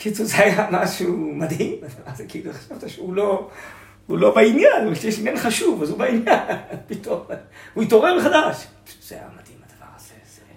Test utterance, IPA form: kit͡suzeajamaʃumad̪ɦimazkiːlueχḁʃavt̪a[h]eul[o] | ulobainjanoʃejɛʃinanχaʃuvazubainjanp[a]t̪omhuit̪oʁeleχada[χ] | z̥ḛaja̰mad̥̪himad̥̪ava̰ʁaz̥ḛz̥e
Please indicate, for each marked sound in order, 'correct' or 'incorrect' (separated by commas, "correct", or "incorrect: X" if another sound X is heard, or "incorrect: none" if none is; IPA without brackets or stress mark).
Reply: incorrect: ʃ, correct, incorrect: i, incorrect: ʃ